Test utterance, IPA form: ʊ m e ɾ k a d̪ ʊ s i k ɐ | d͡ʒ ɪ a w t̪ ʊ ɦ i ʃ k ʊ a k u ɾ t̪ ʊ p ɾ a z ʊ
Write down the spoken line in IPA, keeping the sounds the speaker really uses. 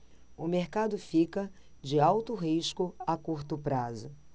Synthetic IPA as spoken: ʊ m e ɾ k a d̪ ʊ f i k ɐ | d͡ʒ ɪ a w t̪ ʊ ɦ i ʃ k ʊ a k u ɾ t̪ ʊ p ɾ a z ʊ